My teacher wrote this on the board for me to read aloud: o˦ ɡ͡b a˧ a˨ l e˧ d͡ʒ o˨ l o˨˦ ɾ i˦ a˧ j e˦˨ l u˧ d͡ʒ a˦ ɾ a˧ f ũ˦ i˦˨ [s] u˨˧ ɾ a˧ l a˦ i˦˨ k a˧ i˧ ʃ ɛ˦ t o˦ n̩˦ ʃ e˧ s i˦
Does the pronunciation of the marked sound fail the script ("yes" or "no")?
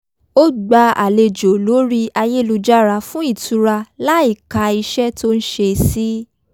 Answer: yes